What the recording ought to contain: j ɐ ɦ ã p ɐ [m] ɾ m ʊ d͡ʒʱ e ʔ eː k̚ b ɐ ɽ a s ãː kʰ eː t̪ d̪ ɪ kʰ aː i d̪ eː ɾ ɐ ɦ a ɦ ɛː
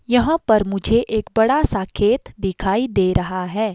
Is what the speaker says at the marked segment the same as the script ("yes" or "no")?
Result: no